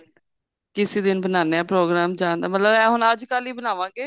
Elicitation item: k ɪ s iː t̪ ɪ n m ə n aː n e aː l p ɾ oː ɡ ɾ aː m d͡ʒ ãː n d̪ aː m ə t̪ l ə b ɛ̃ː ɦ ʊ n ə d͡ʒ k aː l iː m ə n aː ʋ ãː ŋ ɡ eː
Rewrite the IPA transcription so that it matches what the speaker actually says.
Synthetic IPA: k ɪ s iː d̪ ɪ n b ə n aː n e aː p ɾ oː ɡ ɾ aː m d͡ʒ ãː n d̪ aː m ə t̪ l ə b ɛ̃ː ɦ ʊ n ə d͡ʒ k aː l iː b ə n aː ʋ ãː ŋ ɡ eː